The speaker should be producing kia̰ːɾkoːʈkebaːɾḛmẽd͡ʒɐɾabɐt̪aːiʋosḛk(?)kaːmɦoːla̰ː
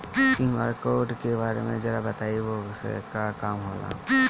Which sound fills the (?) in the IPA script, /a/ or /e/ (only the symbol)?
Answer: a